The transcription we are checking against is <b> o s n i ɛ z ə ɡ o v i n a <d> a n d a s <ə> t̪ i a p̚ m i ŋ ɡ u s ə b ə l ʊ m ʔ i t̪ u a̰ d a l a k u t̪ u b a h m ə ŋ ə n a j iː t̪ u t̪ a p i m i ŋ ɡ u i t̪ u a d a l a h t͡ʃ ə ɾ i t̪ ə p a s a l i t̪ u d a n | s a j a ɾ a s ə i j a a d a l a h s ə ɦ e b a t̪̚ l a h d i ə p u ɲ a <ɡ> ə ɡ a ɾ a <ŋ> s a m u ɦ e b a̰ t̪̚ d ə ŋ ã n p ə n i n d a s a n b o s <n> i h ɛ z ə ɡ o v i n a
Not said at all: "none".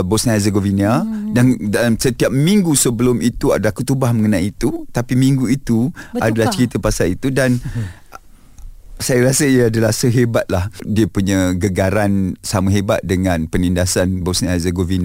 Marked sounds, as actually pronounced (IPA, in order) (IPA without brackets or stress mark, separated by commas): b, d, ə, ɡ, n, n